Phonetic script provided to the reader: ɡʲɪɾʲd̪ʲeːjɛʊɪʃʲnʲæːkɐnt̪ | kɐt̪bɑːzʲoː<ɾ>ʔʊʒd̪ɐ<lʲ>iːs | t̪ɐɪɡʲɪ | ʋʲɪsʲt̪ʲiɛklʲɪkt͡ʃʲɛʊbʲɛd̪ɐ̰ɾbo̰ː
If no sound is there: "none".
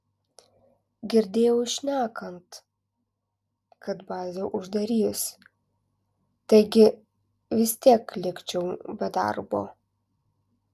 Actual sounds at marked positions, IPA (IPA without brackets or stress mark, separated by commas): none, ɾʲ